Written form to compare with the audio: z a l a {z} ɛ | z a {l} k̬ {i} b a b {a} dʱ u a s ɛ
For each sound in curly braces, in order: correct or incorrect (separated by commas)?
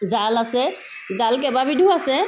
incorrect, correct, incorrect, incorrect